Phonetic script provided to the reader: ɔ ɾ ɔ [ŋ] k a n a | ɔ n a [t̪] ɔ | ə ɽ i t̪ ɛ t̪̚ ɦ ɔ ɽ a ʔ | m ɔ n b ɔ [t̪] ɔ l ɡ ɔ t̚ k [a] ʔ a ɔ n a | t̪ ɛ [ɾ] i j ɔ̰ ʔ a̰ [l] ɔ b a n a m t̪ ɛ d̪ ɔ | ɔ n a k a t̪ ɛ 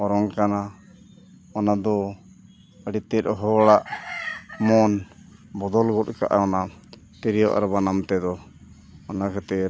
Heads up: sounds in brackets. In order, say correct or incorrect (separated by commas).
correct, incorrect, incorrect, correct, correct, incorrect